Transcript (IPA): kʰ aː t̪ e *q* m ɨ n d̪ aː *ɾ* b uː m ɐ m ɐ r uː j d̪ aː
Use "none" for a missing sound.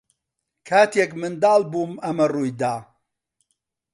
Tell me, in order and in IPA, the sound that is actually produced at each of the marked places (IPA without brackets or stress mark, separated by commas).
k, l